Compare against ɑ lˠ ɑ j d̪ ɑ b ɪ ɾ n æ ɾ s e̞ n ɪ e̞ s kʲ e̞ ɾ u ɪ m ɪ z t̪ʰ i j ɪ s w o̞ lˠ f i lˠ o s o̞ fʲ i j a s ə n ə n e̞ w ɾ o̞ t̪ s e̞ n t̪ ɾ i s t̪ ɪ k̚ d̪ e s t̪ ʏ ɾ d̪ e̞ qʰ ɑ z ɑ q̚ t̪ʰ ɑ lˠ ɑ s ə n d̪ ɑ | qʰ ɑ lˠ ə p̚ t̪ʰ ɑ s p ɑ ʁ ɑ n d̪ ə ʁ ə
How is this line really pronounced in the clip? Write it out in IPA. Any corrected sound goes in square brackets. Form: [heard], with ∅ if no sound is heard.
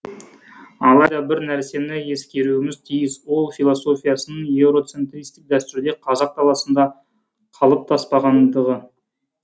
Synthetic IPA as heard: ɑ lˠ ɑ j d̪ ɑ b ɪ ɾ n æ ɾ s e̞ n ɪ e̞ s kʲ e̞ ɾ u ɪ m ɪ z t̪ʰ i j ɪ s w o̞ lˠ f i lˠ o s o̞ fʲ i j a s ə n ə [ɴ] e̞ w ɾ o̞ t̪ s e̞ n t̪ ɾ i s t̪ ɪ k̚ d̪ [æ] s t̪ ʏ ɾ d̪ e̞ qʰ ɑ z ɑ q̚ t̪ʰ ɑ lˠ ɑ s ə n d̪ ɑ | qʰ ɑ lˠ ə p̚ t̪ʰ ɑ s p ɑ ʁ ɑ n d̪ ə ʁ ə

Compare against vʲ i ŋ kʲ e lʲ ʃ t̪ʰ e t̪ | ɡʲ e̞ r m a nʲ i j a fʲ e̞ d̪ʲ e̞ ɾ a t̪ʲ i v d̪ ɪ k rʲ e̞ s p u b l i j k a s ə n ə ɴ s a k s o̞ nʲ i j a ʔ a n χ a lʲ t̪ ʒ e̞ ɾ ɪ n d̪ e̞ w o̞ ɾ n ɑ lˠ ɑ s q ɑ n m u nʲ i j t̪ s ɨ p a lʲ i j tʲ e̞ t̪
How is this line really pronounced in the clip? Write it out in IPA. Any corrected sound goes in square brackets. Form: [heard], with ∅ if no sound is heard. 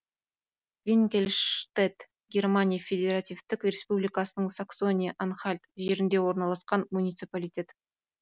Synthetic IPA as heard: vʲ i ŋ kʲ e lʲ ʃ [t̪] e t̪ | ɡʲ e̞ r m a nʲ i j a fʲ e̞ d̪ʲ e̞ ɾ a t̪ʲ i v [t̪] ɪ k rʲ e̞ s p u b l i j k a s ə n ə ɴ s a k s o̞ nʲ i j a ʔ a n χ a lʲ t̪ ʒ e̞ ɾ ɪ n d̪ e̞ w o̞ ɾ n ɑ lˠ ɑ s q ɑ n m u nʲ i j t̪ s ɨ p a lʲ i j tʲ e̞ t̪

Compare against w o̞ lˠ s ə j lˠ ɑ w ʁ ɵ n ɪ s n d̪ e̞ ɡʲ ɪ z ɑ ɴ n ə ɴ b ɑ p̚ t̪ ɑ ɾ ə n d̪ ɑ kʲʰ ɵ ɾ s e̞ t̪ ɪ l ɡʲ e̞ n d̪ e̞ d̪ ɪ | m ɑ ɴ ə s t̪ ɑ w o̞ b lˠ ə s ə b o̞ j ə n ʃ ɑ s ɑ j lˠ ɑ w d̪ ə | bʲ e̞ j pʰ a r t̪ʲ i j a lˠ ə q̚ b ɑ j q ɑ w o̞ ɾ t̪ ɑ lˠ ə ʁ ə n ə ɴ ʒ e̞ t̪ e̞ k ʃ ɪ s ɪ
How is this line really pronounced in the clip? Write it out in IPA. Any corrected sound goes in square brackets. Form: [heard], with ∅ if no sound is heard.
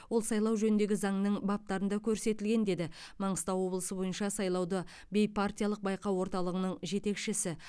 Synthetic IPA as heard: w o̞ lˠ s [ɑ] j lˠ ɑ w [ʒ] ɵ n ɪ [∅] n d̪ e̞ ɡʲ ɪ z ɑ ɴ n ə ɴ b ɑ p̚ t̪ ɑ ɾ ə n d̪ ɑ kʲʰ ɵ ɾ s e̞ t̪ ɪ l ɡʲ e̞ n d̪ e̞ d̪ ɪ | m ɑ ɴ ə s t̪ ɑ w o̞ b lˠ ə s ə b o̞ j ə n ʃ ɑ s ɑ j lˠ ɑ w d̪ ə | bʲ e̞ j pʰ a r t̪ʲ i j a lˠ ə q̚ b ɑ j q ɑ w o̞ ɾ t̪ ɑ lˠ ə ʁ ə n ə ɴ ʒ e̞ t̪ e̞ k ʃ ɪ s ɪ

